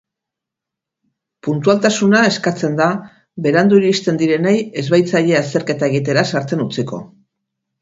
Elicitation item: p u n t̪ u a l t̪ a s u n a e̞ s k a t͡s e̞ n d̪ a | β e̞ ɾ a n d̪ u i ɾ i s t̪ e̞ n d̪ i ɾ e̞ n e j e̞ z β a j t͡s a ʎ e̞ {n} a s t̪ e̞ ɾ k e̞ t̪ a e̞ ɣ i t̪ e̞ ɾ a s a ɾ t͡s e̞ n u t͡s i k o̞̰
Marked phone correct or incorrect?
incorrect